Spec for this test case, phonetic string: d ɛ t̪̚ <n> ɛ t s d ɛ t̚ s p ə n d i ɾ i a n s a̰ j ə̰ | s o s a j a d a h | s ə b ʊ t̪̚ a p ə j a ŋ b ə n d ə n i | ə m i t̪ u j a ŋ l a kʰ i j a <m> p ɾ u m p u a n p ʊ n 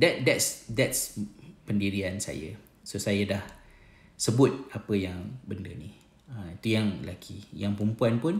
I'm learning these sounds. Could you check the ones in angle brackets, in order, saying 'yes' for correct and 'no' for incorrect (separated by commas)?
no, no